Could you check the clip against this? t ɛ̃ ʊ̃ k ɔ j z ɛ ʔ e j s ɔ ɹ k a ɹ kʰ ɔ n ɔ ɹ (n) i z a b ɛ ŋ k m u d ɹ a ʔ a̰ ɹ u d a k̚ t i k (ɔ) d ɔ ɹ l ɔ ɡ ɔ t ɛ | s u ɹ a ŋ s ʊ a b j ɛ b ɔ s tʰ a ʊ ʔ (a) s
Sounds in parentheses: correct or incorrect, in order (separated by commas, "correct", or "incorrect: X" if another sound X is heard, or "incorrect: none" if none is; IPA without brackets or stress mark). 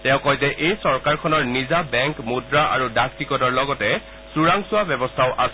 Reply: correct, correct, correct